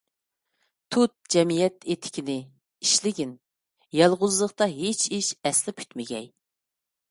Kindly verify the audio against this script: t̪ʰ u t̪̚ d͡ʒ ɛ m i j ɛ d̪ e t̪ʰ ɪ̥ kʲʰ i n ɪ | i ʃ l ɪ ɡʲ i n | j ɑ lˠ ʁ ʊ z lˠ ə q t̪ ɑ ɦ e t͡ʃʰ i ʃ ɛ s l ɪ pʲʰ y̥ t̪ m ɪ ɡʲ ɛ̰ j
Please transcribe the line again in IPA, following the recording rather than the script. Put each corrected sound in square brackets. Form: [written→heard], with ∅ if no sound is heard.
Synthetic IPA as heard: t̪ʰ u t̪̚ d͡ʒ ɛ m i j ɛ [d̪→t̪] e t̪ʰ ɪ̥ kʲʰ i n ɪ | i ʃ l ɪ ɡʲ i n | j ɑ lˠ ʁ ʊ z lˠ ə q t̪ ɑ ɦ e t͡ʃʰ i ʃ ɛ s l ɪ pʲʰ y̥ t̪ m ɪ ɡʲ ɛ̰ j

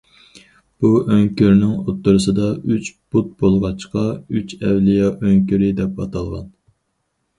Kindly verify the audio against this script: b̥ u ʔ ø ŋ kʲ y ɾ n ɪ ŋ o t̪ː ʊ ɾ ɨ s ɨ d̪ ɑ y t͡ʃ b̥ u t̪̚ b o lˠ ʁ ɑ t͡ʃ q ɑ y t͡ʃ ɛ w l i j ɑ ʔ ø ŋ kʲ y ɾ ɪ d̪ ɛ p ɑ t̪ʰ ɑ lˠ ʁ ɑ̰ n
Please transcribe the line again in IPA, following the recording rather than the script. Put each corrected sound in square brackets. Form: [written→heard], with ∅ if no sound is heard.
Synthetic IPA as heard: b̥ u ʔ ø ŋ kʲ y ɾ n ɪ ŋ o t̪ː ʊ ɾ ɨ s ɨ d̪ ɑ y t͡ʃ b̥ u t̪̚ b o lˠ ʁ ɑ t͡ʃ q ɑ y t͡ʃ ɛ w l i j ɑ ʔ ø ŋ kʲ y ɾ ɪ d̪ ɛ p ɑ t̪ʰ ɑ lˠ ʁ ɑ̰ n

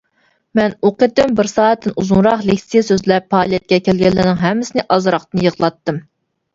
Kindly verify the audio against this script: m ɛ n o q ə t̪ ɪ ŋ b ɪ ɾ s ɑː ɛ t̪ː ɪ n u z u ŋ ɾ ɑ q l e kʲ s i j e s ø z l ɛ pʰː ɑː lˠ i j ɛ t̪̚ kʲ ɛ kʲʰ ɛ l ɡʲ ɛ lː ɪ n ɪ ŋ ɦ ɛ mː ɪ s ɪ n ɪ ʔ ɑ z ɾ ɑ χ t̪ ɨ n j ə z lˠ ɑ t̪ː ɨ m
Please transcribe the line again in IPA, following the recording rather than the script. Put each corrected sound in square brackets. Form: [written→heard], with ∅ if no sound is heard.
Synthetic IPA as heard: m ɛ n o q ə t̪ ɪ [ŋ→m] b ɪ ɾ s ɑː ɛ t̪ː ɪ n u z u ŋ ɾ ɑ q l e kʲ s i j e s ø z l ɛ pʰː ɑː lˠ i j ɛ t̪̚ kʲ ɛ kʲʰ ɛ l ɡʲ ɛ lː ɪ n ɪ ŋ ɦ ɛ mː ɪ s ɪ n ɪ ʔ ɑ z ɾ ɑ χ t̪ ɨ n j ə [z→ʁ] lˠ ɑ t̪ː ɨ m

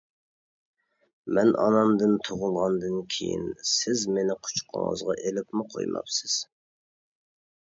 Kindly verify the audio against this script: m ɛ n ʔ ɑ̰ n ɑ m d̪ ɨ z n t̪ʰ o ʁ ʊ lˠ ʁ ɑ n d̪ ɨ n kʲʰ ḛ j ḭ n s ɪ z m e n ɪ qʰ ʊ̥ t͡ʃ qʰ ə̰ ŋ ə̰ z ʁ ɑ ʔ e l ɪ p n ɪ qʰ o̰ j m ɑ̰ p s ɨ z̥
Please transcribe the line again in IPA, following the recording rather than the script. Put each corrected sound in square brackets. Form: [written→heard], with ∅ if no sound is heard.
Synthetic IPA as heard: m ɛ n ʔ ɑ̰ n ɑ m d̪ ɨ [z→∅] n t̪ʰ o ʁ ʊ lˠ ʁ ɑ n d̪ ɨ n kʲʰ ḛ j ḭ n s ɪ z m e n ɪ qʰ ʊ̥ t͡ʃ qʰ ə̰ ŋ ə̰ z ʁ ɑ ʔ e l ɪ p [n→m] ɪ qʰ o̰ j m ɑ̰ p s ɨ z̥

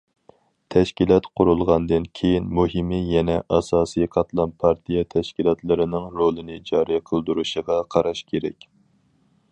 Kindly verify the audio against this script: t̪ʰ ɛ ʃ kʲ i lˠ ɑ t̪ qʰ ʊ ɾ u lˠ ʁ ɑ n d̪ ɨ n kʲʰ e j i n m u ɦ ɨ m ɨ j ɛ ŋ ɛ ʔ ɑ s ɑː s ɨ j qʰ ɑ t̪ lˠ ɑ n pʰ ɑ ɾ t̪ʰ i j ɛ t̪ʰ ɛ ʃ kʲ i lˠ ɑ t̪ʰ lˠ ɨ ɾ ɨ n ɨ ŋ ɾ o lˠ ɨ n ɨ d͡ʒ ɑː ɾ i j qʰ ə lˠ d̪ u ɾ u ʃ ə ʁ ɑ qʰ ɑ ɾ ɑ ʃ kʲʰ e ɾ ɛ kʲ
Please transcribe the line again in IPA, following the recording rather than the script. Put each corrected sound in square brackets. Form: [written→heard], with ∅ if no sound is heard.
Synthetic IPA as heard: t̪ʰ ɛ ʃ kʲ i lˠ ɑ t̪ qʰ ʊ ɾ u lˠ ʁ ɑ n d̪ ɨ n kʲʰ e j i n m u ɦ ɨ m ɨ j ɛ [ŋ→n] ɛ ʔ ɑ s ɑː s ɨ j qʰ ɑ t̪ lˠ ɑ n pʰ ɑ ɾ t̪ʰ i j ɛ t̪ʰ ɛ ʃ kʲ i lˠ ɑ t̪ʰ lˠ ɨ ɾ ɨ n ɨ ŋ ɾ o lˠ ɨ n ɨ d͡ʒ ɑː ɾ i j qʰ ə lˠ d̪ u ɾ u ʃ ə ʁ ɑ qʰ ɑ ɾ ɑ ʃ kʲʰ e ɾ ɛ kʲ

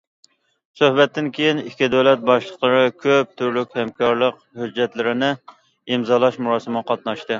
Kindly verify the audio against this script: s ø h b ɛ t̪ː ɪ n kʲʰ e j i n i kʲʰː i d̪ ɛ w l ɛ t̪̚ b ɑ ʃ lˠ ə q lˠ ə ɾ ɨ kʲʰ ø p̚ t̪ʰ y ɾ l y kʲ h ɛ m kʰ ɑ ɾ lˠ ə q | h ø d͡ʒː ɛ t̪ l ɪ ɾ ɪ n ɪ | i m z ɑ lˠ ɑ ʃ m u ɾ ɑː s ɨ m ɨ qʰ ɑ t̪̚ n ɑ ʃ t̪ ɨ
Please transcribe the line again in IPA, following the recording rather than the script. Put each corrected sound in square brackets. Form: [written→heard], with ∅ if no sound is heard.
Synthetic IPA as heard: s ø h b ɛ t̪ː ɪ n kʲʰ e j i n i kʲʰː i d̪ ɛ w l ɛ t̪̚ b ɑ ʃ lˠ ə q lˠ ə ɾ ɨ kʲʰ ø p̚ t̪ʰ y ɾ l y kʲ h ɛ m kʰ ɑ ɾ lˠ ə q | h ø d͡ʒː ɛ t̪ l ɪ ɾ ɪ n ɪ | i m z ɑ lˠ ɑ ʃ m u ɾ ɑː s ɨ m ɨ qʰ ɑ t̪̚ n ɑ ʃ t̪ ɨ

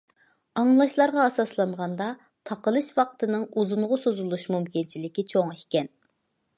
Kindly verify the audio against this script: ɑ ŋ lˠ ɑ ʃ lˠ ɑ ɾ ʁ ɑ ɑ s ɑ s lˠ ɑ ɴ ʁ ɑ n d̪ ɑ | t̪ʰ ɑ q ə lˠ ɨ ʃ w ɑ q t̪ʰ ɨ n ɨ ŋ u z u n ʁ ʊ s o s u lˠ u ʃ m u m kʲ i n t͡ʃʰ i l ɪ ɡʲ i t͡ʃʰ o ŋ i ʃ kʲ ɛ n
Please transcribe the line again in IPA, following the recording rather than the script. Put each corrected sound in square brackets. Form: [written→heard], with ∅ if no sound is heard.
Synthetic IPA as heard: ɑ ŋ lˠ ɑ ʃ lˠ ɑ ɾ ʁ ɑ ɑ s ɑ s lˠ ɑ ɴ ʁ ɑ n d̪ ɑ | t̪ʰ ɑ q ə lˠ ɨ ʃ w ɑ q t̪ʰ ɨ n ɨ ŋ u z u n ʁ ʊ s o [s→z] u lˠ u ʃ m u m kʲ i n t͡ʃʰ i l ɪ [ɡʲ→kʲ] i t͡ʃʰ o ŋ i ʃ kʲ ɛ n

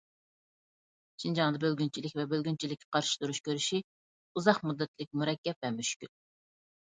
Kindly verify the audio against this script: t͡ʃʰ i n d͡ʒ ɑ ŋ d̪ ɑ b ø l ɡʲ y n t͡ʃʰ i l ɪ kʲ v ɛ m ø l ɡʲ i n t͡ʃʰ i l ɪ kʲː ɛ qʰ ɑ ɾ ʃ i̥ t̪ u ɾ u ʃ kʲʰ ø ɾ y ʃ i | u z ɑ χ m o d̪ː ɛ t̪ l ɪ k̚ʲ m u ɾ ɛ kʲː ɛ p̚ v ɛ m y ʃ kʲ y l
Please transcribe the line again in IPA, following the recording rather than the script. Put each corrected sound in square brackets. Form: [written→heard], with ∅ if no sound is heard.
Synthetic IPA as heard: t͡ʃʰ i n d͡ʒ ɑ ŋ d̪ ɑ b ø l ɡʲ y n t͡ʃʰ i l ɪ kʲ v ɛ [m→b] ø l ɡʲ [i→y] n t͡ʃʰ i l ɪ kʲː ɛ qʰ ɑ ɾ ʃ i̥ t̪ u ɾ u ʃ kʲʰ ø ɾ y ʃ i | u z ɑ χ m [o→u] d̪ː ɛ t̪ l ɪ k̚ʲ m u ɾ ɛ kʲː ɛ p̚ v ɛ m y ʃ kʲ y l

